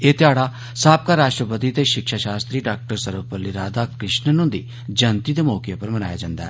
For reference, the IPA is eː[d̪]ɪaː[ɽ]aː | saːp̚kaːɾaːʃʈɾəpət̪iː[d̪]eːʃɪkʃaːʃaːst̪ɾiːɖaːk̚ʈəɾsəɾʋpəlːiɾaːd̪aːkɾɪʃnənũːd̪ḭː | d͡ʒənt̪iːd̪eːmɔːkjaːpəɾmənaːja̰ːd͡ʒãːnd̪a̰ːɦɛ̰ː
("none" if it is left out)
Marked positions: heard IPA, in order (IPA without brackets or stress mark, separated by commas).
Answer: t̪, ɽ, t̪